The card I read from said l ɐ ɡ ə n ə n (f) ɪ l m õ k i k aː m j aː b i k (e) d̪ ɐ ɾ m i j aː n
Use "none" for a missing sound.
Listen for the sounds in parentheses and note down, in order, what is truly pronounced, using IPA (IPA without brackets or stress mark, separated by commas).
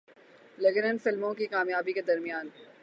f, e